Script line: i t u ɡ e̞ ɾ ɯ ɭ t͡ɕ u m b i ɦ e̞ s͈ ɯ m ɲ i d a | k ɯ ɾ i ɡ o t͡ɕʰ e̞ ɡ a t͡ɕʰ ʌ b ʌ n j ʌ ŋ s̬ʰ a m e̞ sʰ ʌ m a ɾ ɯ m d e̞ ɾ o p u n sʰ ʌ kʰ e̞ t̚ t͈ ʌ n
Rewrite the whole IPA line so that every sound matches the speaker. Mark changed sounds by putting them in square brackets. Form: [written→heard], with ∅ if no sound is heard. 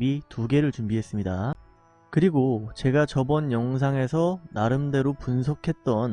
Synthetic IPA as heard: i t u ɡ e̞ ɾ ɯ ɭ t͡ɕ u m b i ɦ e̞ s͈ ɯ m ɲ i d a | k ɯ ɾ i ɡ o [t͡ɕʰ→t͡ɕ] e̞ ɡ a [t͡ɕʰ→t͡ɕ] ʌ b ʌ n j ʌ ŋ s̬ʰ a [m→ŋ] e̞ sʰ ʌ [m→n] a ɾ ɯ m d e̞ ɾ o p u n sʰ ʌ kʰ e̞ t̚ t͈ ʌ n